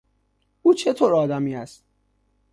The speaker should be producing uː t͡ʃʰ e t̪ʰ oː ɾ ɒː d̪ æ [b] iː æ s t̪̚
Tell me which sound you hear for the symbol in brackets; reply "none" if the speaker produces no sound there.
m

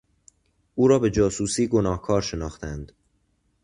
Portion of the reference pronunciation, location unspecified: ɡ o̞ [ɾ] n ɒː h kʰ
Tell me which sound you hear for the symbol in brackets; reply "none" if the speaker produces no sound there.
none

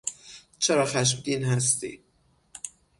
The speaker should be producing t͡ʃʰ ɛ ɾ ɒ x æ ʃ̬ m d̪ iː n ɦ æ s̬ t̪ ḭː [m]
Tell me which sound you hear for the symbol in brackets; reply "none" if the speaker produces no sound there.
none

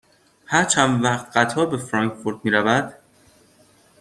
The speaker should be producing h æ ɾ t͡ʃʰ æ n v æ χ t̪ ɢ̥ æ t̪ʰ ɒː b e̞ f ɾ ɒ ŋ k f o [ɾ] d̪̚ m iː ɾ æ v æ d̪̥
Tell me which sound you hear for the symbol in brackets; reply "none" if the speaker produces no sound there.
ɾ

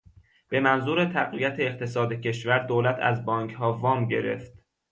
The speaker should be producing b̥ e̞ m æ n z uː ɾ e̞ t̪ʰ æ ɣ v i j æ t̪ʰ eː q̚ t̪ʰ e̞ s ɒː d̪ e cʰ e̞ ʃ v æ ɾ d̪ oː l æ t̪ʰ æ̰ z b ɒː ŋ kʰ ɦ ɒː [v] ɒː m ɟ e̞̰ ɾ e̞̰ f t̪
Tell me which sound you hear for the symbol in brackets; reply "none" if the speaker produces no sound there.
v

